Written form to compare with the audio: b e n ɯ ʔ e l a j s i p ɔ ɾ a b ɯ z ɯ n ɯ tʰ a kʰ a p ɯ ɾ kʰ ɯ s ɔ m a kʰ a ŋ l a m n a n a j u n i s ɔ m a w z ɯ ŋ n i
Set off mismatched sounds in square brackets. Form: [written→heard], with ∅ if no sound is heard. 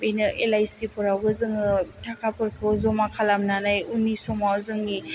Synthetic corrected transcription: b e n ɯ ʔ e l a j s i p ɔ ɾ a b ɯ z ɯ [n→ŋ] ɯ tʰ a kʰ a p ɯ ɾ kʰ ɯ [s→z] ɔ m a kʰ a [ŋ→∅] l a m n a n a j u n i s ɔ m a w z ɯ ŋ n i